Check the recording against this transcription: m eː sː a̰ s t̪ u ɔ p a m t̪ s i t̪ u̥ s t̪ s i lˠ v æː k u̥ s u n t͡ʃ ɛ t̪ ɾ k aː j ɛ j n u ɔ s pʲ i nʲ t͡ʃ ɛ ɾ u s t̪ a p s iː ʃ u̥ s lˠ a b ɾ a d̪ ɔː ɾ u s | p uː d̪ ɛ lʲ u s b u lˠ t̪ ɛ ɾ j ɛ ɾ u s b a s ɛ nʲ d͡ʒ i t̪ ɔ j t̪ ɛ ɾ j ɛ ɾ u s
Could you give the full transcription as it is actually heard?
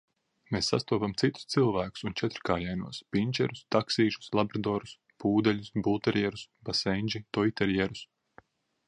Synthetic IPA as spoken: m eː sː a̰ s t̪ u ɔ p a m t̪ s i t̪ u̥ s t̪ s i lˠ v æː k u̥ s u n t͡ʃ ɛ t̪ ɾ k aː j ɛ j n u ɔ s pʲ i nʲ t͡ʃ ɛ ɾ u s t̪ a k s iː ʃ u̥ s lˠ a b ɾ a d̪ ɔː ɾ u s | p uː d̪ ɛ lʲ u s b u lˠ t̪ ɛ ɾ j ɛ ɾ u s b a s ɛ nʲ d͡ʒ i t̪ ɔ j t̪ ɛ ɾ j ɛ ɾ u s